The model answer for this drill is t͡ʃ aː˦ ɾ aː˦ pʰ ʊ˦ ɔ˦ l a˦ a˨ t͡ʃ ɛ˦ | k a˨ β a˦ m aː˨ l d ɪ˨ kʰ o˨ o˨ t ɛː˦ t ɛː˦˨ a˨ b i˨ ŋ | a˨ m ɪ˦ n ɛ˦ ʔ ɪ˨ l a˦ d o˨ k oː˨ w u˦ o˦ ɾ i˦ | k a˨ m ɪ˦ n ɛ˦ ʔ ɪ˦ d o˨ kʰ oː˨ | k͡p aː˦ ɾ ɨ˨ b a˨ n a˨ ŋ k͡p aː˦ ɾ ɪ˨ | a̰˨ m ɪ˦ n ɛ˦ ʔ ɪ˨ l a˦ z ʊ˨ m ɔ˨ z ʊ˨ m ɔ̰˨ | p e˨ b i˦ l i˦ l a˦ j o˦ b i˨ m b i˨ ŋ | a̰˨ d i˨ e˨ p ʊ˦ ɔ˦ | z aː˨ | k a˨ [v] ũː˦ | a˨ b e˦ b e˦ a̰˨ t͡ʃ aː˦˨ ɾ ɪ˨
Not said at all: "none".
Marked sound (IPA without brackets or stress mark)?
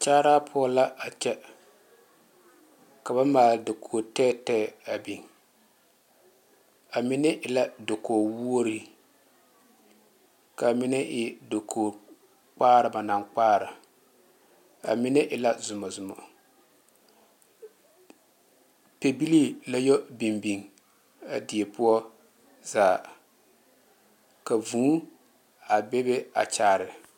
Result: v